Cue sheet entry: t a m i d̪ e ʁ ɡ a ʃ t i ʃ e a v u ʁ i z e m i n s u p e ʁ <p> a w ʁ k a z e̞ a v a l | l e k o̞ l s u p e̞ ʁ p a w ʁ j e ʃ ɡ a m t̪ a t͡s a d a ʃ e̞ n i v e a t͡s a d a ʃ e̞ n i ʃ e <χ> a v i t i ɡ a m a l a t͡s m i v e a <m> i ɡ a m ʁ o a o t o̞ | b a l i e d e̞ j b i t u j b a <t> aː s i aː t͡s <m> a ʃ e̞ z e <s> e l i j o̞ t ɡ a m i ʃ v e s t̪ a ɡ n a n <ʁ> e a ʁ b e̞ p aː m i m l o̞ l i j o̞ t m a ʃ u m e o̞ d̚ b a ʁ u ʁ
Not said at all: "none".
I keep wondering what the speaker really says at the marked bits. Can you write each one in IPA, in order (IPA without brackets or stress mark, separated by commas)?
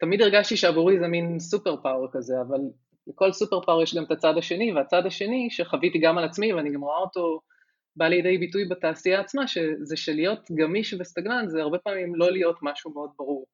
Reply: p, χ, n, t, m, ʃ, z